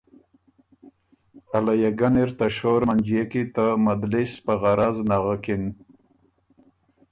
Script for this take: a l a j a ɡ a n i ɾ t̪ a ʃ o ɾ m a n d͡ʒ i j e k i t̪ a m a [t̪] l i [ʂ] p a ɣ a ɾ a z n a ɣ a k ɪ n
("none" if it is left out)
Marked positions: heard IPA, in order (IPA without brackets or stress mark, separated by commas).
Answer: d̪, s